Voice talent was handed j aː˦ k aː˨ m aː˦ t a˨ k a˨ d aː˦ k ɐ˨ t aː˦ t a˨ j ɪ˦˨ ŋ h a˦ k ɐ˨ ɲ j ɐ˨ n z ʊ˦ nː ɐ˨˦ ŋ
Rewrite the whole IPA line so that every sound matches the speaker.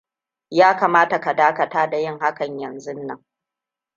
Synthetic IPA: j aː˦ k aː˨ m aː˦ t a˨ k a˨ d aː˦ k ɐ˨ t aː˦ d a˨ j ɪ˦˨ ŋ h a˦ k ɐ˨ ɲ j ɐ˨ n z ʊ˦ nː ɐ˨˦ ŋ